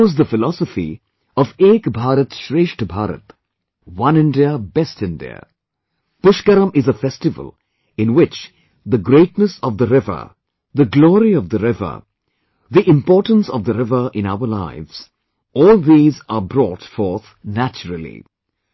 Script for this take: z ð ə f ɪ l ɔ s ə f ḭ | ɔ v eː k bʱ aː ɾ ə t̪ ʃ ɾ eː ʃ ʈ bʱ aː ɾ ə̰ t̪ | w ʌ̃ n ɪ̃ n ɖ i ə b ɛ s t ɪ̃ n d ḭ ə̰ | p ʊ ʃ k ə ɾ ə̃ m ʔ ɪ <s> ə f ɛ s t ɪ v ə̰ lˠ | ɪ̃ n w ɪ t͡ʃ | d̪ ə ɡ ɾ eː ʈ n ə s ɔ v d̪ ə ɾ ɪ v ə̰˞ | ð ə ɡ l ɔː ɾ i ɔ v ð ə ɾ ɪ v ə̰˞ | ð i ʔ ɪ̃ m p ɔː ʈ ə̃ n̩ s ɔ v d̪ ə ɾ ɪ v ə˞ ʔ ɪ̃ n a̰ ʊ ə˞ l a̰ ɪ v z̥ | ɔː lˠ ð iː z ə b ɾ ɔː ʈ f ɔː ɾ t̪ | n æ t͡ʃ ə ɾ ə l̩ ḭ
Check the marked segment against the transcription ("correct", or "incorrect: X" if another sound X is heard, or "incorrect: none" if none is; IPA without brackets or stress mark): incorrect: z